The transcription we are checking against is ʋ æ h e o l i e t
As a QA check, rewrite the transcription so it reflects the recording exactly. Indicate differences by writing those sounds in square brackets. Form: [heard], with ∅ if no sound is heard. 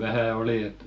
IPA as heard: ʋ æ h [æ] o l i e t